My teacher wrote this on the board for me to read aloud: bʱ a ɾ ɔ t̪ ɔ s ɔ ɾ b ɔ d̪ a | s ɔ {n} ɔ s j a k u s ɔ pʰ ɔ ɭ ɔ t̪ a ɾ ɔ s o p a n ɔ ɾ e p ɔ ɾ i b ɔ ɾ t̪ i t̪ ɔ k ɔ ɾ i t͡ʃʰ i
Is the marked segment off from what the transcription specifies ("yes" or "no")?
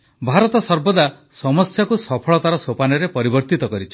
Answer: yes